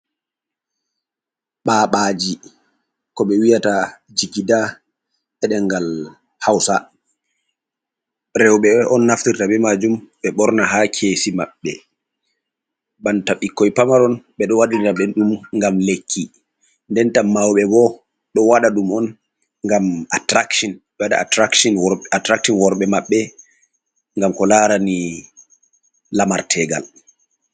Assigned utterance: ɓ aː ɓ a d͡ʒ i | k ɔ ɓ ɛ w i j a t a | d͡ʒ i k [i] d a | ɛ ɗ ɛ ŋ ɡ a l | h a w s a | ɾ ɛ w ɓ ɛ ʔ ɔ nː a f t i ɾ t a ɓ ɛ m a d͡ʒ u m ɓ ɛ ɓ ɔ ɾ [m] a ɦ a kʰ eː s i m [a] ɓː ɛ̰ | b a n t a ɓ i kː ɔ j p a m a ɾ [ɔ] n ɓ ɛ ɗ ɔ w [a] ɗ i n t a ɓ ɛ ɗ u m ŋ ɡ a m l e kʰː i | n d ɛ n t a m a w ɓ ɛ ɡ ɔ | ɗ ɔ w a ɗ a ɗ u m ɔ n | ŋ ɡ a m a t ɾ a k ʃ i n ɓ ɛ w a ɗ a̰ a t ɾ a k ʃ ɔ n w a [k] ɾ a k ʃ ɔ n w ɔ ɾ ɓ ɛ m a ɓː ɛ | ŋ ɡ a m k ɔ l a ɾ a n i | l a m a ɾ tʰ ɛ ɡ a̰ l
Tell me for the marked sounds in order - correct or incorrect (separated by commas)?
correct, incorrect, correct, correct, correct, incorrect